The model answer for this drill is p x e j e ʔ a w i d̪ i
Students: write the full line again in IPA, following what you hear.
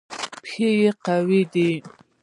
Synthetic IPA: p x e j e q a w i d̪ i